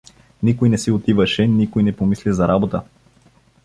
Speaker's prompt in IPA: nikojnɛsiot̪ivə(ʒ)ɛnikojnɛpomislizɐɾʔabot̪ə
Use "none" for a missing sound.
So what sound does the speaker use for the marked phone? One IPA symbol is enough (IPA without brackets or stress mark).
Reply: ʃ